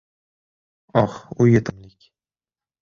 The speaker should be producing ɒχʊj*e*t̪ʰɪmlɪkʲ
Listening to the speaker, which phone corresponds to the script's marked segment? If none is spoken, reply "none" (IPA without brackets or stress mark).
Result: e